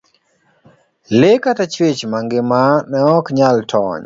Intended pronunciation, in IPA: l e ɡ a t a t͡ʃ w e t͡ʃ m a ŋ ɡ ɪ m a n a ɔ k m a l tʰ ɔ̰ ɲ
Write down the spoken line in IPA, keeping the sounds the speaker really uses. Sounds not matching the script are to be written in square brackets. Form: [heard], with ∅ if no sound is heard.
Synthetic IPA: l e [k] a t a t͡ʃ w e t͡ʃ m a ŋ ɡ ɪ m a n [ɛ] ɔ k [ɲ] a l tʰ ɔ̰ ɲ

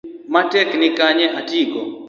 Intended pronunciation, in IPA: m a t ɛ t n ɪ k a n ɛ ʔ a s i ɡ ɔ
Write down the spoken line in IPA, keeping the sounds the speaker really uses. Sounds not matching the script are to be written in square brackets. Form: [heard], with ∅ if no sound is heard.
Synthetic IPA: m a t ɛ [k] n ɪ k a [ɲ] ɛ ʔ a [t] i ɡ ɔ

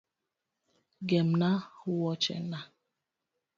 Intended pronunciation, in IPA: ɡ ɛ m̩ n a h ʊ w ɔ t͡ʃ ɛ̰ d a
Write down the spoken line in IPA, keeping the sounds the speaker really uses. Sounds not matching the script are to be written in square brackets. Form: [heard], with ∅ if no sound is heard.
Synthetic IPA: ɡ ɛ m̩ n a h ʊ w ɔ t͡ʃ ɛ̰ [n] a

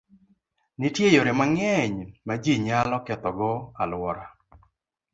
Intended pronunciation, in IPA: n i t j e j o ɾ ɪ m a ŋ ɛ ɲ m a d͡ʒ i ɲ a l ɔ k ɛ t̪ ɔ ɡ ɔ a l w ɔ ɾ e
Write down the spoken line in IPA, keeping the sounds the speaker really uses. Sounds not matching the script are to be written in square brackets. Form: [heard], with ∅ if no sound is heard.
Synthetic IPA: n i t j e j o ɾ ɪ m a ŋ ɛ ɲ m a d͡ʒ i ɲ a l ɔ k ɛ t̪ ɔ ɡ ɔ a l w ɔ ɾ [a]

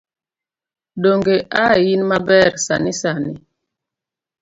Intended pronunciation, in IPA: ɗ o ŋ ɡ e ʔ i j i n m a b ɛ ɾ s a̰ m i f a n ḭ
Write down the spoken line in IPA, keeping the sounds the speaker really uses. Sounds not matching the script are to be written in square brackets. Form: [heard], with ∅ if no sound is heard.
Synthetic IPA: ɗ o ŋ ɡ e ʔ [a] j i n m a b ɛ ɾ s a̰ [n] i [s] a n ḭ

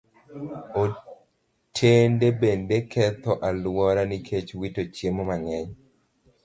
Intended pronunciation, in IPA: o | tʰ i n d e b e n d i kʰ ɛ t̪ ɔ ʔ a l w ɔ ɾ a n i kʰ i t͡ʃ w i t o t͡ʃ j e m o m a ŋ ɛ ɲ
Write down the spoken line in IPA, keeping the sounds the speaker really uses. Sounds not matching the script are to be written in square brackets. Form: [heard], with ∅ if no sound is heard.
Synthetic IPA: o | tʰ [e] n d e b e n d [e] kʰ ɛ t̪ ɔ ʔ a l w ɔ ɾ a n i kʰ [e] t͡ʃ w i t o t͡ʃ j e m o m a ŋ ɛ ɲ

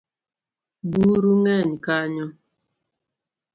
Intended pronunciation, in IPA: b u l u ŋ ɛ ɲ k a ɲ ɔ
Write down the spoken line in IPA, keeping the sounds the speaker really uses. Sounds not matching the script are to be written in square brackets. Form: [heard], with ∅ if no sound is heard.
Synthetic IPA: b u [ɾ] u ŋ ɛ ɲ k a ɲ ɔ

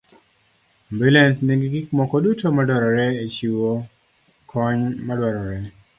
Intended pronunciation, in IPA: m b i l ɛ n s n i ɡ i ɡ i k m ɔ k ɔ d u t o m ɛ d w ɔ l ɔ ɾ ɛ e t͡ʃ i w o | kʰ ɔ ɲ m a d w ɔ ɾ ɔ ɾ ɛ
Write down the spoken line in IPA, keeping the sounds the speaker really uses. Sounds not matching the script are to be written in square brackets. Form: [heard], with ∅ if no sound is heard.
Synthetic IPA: m b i l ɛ n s n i ɡ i ɡ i k m ɔ k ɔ d u t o m [a] d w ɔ [ɾ] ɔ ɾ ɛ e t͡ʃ i w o | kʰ ɔ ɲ m a d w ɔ ɾ ɔ ɾ ɛ

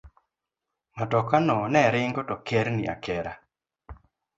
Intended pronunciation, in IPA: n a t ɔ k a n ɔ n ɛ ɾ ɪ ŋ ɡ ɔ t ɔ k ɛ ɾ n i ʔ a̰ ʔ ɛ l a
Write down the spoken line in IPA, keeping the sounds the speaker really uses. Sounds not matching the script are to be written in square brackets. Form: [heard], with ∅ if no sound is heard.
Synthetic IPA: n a t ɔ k a n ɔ n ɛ ɾ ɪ ŋ ɡ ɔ t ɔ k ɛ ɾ n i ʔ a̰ [k] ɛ [ɾ] a

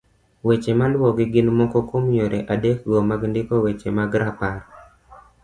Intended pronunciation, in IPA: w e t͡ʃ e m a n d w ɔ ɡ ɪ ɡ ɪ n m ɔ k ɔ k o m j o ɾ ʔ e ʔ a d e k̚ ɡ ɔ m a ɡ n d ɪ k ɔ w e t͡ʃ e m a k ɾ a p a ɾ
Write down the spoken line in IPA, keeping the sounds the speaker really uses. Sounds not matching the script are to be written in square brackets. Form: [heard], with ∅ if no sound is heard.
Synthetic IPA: w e t͡ʃ e m a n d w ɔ ɡ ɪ ɡ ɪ n m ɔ k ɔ k o m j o ɾ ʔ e ʔ a d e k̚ ɡ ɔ m a ɡ n d ɪ k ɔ w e t͡ʃ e m a [ɡ] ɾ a p a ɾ

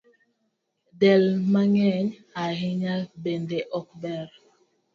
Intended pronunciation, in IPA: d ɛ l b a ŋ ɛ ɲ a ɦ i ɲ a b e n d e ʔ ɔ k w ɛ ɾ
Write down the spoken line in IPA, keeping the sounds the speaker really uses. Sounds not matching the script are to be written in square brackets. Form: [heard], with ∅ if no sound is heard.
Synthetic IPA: d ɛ l [m] a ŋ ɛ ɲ a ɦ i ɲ a b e n d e ʔ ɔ k [b] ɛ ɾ

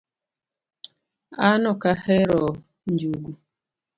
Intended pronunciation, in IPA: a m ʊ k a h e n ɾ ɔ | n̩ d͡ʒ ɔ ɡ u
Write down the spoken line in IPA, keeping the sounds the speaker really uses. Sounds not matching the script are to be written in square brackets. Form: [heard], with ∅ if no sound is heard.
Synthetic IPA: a [n] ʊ k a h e [∅] ɾ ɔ | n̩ d͡ʒ [u] ɡ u

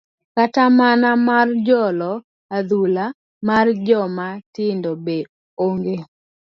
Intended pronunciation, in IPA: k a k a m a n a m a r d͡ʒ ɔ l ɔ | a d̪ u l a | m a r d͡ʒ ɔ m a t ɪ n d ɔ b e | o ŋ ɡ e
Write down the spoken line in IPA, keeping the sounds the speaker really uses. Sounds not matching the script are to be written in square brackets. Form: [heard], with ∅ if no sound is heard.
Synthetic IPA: k a [t] a m a n a m a r d͡ʒ ɔ l ɔ | a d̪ u l a | m a r d͡ʒ ɔ m a t ɪ n d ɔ b e | o ŋ ɡ e

